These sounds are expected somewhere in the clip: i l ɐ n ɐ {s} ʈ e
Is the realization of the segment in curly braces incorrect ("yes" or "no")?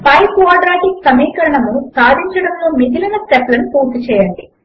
no